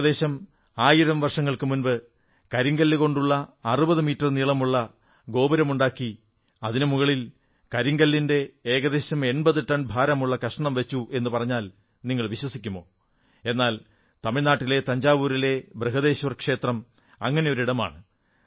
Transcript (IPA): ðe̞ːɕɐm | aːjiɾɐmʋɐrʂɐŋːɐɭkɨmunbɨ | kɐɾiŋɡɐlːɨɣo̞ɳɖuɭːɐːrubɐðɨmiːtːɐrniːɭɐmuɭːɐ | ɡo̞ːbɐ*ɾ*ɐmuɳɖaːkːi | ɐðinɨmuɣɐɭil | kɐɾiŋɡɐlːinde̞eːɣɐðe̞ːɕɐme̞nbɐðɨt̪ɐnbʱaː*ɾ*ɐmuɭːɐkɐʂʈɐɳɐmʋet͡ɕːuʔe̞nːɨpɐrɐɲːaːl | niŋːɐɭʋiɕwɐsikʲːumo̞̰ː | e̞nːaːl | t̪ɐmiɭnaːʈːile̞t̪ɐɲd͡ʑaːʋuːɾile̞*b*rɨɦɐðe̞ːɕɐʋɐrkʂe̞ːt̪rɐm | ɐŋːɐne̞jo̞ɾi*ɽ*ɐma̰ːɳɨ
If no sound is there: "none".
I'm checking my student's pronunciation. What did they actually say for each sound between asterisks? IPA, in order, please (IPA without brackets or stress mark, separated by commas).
ɾ, ɾ, b, ɽ